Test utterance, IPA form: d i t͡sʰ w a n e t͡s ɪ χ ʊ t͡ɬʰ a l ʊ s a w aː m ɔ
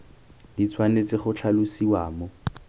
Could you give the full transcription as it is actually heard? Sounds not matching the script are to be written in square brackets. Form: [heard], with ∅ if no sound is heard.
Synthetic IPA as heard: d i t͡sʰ w a n e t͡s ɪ χ ʊ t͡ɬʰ a l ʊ s [i] w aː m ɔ